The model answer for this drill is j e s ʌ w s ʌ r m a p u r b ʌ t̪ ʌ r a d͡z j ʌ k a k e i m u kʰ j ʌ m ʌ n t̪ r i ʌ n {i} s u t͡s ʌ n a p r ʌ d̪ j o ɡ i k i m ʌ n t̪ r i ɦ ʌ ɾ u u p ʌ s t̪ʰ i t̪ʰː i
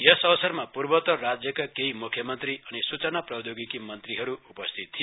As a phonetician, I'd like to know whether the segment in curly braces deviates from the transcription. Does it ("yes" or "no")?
no